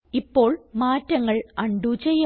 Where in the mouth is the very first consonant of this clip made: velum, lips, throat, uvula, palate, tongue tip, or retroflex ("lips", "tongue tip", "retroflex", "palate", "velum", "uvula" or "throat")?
lips